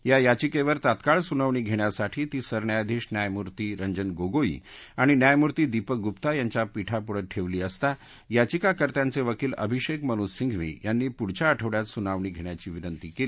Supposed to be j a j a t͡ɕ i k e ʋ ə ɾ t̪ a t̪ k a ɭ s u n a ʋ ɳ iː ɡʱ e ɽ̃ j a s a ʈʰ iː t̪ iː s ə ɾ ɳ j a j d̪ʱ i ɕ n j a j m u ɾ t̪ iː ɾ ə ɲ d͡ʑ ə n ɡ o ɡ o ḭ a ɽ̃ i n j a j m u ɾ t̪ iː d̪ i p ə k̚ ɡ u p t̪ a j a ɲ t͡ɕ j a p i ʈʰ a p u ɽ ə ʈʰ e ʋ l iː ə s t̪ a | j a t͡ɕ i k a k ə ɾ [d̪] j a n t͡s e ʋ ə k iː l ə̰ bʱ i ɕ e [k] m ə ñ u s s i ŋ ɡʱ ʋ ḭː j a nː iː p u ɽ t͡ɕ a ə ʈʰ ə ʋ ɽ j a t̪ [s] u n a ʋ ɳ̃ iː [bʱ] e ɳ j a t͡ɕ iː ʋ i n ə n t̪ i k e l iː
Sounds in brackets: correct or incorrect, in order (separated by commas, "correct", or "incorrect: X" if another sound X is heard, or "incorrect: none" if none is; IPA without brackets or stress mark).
incorrect: t̪, correct, correct, incorrect: ɡʱ